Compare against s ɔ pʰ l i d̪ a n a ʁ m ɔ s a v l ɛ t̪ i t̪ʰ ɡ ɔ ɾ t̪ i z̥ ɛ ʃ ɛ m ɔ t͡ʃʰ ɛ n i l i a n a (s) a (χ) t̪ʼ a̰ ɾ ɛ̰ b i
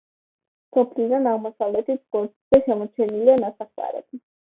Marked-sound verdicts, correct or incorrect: correct, correct

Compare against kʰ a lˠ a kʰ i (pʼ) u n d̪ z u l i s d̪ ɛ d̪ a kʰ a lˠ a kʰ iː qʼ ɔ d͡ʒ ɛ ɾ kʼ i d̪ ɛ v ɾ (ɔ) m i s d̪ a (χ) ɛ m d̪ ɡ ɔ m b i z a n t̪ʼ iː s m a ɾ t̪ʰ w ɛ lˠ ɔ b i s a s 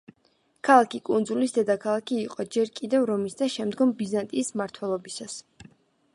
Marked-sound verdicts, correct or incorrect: incorrect, correct, incorrect

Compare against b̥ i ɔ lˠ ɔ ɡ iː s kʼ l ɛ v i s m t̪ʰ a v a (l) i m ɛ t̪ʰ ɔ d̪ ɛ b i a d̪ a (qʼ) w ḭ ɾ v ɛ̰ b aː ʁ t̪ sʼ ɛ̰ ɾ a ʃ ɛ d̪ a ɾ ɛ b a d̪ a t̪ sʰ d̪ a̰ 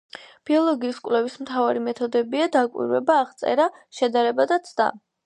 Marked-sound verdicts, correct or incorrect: incorrect, incorrect

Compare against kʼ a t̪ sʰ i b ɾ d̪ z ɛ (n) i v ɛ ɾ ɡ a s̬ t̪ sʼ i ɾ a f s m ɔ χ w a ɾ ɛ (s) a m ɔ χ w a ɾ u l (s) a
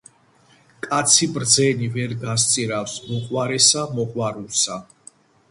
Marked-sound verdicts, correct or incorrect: correct, correct, correct

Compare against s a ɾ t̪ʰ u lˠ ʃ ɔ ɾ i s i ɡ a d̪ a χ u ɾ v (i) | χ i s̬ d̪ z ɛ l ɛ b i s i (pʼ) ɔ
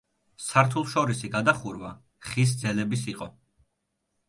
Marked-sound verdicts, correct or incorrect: incorrect, incorrect

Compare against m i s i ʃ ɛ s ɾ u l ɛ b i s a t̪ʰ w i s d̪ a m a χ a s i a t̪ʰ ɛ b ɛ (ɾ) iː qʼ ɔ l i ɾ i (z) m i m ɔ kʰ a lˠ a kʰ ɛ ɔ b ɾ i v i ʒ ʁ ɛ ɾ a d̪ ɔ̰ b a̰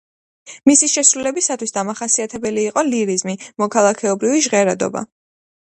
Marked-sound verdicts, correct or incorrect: incorrect, correct

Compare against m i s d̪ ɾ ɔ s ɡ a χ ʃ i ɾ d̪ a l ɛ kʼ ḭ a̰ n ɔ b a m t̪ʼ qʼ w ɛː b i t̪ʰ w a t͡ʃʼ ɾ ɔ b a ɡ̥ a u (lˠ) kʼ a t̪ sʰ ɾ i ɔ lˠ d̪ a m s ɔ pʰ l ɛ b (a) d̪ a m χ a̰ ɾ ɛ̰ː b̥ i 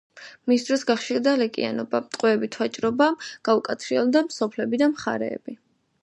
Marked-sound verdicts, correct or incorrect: incorrect, incorrect

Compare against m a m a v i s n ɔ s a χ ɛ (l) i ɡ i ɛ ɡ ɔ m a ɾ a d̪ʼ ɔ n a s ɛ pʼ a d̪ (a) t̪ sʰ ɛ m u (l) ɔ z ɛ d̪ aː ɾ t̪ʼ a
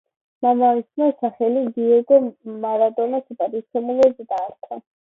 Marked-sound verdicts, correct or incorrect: correct, incorrect, correct

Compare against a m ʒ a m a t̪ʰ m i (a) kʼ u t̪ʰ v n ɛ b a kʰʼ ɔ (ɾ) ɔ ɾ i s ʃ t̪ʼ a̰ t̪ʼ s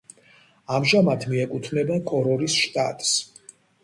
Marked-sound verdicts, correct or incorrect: incorrect, correct

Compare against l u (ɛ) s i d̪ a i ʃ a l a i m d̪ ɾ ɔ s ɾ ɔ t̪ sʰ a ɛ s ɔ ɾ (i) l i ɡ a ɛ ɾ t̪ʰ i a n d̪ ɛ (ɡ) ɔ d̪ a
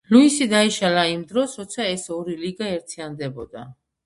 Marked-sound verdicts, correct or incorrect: incorrect, correct, incorrect

